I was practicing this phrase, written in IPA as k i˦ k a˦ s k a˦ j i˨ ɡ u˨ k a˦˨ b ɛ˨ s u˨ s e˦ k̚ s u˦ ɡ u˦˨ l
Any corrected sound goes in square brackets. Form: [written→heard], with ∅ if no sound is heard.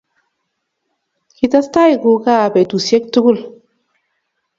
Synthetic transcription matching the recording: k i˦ [k→t] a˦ s [k→t] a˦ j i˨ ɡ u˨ k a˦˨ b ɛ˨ [s→t] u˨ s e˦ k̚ [s→t] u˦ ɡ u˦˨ l